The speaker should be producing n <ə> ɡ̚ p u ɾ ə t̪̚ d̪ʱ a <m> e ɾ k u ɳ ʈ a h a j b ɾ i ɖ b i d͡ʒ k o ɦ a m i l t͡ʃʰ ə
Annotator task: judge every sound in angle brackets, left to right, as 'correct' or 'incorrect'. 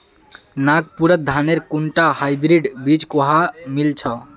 incorrect, incorrect

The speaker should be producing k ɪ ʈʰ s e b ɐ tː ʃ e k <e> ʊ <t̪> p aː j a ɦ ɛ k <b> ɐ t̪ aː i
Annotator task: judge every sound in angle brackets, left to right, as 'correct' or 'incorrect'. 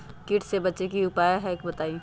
incorrect, incorrect, correct

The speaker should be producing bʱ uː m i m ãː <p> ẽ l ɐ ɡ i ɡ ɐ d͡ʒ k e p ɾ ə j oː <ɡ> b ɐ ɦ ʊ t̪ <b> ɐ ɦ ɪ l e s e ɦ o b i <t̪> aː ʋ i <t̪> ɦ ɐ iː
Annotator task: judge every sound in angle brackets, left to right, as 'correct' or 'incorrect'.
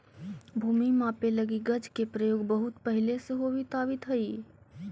correct, correct, incorrect, correct, correct

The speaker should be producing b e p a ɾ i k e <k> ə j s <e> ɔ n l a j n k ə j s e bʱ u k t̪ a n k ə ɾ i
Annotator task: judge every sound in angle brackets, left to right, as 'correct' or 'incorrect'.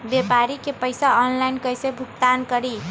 incorrect, incorrect

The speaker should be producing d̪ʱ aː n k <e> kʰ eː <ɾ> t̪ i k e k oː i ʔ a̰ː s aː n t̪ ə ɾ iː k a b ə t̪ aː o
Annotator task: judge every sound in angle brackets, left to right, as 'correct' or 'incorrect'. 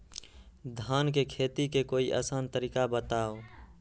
correct, incorrect

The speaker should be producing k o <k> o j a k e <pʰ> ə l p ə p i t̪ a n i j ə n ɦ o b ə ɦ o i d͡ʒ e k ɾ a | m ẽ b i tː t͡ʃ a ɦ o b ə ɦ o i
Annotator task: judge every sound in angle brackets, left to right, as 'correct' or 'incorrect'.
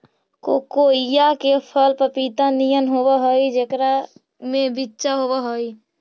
correct, correct

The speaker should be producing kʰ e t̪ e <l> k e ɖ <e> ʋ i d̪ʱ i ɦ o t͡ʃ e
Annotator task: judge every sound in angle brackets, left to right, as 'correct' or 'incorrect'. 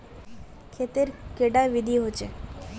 incorrect, incorrect

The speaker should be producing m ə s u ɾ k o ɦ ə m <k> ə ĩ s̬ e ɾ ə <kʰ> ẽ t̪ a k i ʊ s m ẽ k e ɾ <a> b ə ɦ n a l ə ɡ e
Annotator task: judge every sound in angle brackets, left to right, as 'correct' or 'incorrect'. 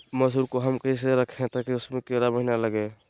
correct, correct, correct

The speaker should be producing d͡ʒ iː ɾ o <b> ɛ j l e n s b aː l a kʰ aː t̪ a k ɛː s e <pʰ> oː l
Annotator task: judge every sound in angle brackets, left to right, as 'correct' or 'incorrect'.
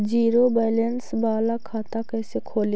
correct, incorrect

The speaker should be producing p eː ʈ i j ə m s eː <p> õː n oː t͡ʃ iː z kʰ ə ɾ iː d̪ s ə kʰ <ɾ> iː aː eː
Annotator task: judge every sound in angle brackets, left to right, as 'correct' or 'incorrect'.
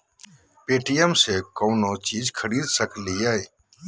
incorrect, incorrect

